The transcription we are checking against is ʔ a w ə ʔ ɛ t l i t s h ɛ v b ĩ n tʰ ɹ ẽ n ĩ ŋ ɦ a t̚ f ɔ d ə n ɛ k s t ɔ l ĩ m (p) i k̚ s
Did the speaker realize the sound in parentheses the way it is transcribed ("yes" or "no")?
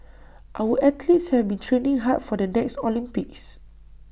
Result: yes